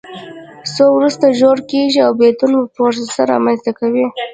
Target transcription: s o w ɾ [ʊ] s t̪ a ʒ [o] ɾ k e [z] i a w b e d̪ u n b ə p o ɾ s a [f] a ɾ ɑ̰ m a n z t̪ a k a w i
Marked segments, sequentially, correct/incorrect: incorrect: u, correct, incorrect: ʒ, incorrect: s

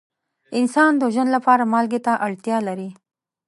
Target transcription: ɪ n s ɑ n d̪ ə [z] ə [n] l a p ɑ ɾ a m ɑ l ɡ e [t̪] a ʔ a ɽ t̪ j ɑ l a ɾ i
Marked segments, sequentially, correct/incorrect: incorrect: ʒ, correct, correct

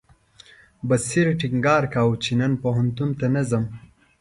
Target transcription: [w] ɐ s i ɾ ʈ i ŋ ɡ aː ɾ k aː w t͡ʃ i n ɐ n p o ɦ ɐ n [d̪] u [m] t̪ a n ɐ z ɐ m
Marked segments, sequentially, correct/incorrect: incorrect: b, incorrect: t̪, incorrect: n

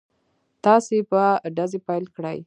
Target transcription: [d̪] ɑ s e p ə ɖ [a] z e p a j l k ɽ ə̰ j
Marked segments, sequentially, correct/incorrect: incorrect: t̪, correct

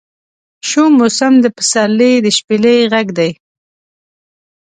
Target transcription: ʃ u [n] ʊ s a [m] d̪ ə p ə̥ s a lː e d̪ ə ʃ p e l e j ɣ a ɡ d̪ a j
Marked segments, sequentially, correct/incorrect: incorrect: m, correct

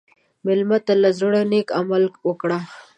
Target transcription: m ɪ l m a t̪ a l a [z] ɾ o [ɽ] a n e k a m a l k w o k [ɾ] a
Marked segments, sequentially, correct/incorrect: correct, correct, incorrect: ɽ

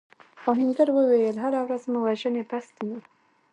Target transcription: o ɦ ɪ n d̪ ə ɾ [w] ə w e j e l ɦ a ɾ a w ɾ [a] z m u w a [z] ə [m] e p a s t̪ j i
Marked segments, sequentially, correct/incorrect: correct, correct, incorrect: ʒ, incorrect: n

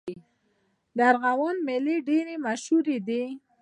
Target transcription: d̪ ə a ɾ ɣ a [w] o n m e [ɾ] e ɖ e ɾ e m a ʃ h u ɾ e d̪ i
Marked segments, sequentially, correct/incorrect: correct, incorrect: l

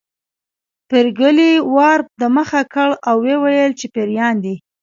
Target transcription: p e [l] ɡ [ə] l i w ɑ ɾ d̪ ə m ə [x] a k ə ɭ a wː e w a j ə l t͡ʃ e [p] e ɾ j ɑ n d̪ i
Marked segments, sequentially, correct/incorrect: incorrect: ɾ, correct, correct, correct

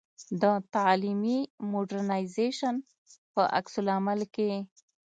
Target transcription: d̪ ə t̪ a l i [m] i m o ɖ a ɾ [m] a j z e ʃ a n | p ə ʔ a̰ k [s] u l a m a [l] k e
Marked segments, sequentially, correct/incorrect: correct, incorrect: n, correct, correct

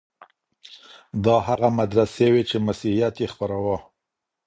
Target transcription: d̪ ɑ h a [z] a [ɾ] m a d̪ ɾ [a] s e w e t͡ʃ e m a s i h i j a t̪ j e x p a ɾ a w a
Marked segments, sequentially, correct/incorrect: incorrect: ɣ, incorrect: none, correct

